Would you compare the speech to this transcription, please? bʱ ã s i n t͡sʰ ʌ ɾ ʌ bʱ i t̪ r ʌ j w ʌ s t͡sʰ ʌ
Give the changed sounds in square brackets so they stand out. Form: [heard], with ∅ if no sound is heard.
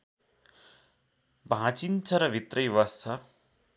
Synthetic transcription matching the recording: bʱ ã [t͡s] i n t͡sʰ ʌ ɾ ʌ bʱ i t̪ r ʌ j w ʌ s t͡sʰ ʌ